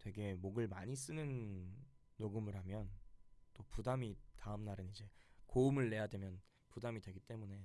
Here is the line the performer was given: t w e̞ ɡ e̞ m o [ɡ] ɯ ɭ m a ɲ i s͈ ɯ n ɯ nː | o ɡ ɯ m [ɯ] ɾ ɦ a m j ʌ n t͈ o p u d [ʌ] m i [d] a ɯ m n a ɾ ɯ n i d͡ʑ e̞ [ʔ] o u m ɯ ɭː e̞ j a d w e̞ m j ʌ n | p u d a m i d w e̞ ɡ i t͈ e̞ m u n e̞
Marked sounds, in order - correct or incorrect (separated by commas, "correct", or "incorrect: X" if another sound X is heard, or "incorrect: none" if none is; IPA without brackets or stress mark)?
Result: correct, correct, incorrect: a, incorrect: t, incorrect: k